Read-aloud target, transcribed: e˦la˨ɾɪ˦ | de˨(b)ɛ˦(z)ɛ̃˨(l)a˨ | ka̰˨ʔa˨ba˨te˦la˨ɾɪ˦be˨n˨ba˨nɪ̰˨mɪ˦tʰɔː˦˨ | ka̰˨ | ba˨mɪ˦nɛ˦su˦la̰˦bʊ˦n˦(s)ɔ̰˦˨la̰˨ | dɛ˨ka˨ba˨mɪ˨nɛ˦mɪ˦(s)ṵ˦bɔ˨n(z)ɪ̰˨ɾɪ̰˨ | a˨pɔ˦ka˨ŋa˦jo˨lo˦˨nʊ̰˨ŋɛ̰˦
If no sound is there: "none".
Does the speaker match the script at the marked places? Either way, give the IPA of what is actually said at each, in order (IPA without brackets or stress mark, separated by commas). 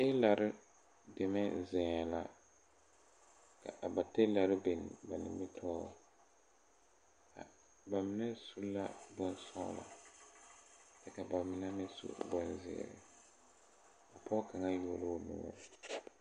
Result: m, z, l, s, s, z